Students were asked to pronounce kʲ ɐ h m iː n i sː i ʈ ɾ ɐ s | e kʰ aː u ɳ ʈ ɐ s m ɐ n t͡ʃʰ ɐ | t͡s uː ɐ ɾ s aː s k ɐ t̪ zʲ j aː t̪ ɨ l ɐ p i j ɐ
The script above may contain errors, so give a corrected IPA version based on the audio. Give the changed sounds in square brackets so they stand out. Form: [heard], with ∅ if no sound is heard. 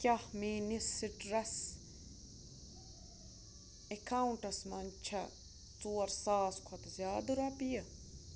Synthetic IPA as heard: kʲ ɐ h m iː n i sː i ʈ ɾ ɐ s | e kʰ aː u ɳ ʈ ɐ s m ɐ n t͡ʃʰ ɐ | t͡s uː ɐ ɾ s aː s [kʰ] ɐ t̪ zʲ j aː [d̪] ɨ [ɾ] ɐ p i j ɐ